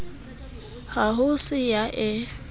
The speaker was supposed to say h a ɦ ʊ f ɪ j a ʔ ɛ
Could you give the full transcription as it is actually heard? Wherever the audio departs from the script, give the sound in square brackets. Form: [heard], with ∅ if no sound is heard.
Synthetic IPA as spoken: h a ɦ ʊ [s] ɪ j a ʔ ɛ